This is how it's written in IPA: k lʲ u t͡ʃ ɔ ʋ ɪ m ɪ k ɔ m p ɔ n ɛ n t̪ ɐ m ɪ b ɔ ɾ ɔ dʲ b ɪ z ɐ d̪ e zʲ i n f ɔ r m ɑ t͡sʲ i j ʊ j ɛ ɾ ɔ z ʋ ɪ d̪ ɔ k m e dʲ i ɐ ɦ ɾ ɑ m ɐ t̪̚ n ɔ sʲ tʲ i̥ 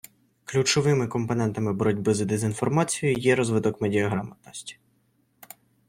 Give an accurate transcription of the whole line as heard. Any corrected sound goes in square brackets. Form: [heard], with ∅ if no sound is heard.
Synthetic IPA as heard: k lʲ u t͡ʃ ɔ ʋ ɪ m ɪ k ɔ m p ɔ n ɛ n t̪ ɐ m ɪ b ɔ ɾ ɔ dʲ b ɪ z ɐ d̪ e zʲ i n f ɔ r m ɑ t͡sʲ i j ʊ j ɛ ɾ ɔ z ʋ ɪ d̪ ɔ k m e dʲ i ɐ ɦ ɾ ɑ m ɐ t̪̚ n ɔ sʲ tʲ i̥